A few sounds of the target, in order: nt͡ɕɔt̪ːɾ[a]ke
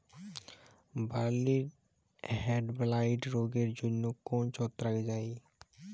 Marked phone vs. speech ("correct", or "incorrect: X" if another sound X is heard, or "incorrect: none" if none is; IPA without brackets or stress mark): correct